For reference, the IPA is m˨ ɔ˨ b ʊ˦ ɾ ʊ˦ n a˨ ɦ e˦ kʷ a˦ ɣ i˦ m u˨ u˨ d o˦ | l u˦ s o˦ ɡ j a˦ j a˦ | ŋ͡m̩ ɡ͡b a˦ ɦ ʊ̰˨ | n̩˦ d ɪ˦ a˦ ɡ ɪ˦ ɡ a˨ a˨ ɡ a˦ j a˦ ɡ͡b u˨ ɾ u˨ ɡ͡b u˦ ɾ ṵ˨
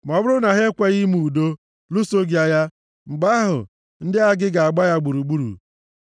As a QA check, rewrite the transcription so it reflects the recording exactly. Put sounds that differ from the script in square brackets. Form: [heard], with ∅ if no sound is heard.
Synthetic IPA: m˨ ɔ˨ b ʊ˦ ɾ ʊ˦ n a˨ ɦ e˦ kʷ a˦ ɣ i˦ m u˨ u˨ d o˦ | l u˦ s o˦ ɡ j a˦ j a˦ | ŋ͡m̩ ɡ͡b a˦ ɦ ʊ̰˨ | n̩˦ d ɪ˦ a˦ ɡ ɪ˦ ɡ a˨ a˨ [ɡ͡b] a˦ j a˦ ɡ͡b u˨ ɾ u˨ ɡ͡b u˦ ɾ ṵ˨